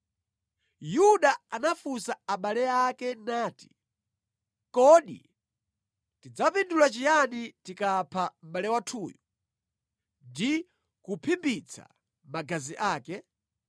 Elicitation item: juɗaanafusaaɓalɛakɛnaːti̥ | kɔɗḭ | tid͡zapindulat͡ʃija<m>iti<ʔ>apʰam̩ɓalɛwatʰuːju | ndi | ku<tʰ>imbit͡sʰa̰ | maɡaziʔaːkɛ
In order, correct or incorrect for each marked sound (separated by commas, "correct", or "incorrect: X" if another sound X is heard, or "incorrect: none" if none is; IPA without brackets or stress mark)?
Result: incorrect: n, incorrect: k, incorrect: pʰ